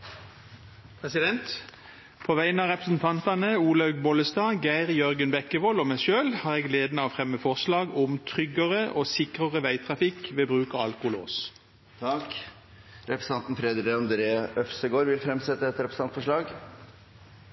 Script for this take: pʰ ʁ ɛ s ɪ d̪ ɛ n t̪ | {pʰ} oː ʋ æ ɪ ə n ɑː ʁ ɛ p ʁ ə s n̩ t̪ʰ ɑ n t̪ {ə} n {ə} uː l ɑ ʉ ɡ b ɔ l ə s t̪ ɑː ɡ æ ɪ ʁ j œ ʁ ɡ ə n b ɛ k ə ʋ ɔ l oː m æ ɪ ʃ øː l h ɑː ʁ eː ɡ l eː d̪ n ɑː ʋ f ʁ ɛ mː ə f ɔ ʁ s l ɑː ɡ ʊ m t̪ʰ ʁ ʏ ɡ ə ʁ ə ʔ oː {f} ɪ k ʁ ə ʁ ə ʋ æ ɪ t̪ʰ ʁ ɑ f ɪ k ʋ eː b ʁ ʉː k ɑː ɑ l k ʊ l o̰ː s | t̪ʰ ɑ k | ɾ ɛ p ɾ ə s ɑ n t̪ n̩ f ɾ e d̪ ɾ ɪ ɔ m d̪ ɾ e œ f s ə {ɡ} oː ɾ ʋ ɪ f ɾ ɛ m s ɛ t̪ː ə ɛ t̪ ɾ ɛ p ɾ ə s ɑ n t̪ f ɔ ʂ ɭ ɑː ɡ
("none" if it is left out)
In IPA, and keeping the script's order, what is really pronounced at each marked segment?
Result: pʰ, ɑ, ə, s, ɡ

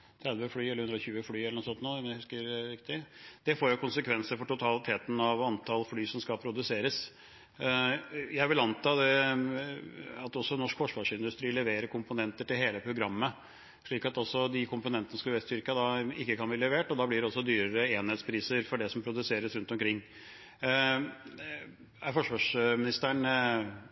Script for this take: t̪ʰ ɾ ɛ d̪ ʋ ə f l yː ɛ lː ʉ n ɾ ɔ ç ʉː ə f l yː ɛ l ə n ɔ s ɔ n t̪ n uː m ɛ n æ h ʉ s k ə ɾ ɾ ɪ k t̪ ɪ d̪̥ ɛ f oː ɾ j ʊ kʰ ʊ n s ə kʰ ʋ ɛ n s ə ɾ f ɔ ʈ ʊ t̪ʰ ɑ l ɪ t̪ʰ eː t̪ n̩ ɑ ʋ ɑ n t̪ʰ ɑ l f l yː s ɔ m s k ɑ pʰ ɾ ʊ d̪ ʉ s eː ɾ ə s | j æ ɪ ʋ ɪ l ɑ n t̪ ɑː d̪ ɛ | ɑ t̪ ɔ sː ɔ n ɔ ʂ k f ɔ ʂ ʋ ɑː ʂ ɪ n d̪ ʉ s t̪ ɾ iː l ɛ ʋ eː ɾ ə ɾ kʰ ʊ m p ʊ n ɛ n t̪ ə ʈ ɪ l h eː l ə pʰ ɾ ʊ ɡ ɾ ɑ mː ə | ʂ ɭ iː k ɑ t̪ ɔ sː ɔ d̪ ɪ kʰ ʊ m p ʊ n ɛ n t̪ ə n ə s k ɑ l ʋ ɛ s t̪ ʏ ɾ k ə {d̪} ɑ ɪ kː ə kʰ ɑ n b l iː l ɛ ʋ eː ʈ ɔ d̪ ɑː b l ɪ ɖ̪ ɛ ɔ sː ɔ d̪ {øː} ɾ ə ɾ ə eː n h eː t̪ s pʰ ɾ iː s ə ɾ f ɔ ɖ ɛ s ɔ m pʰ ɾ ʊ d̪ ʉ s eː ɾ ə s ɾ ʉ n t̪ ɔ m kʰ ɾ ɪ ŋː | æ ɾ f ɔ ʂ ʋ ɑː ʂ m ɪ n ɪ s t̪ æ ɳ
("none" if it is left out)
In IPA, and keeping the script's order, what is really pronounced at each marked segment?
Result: d̪, yː

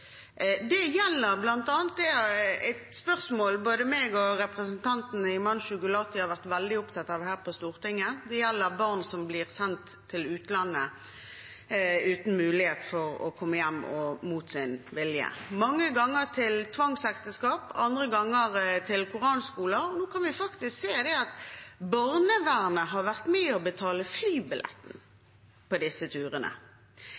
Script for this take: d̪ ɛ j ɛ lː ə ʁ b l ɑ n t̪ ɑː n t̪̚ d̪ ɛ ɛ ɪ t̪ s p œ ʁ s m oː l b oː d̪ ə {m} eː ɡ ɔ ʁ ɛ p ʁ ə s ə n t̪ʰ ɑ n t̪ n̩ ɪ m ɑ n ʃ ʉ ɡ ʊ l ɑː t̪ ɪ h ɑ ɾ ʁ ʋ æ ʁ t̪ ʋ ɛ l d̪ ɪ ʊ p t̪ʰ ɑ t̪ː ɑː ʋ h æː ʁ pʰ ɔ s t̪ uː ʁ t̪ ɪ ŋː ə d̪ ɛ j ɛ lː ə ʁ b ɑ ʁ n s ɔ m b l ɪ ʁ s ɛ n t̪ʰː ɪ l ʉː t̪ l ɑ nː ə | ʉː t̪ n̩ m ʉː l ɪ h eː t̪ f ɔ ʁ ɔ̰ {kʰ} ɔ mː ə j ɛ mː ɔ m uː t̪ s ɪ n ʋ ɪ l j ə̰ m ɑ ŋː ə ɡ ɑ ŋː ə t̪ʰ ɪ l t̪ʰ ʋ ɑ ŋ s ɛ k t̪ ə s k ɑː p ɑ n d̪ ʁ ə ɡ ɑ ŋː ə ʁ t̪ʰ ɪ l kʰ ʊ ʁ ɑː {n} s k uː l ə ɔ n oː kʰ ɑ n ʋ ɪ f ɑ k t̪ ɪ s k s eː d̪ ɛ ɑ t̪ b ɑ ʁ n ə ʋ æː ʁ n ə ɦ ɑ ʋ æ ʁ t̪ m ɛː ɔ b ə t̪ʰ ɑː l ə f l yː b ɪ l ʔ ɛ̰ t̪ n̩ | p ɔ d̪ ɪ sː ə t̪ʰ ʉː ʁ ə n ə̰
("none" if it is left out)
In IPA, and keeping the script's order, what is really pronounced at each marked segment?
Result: m, kʰ, n

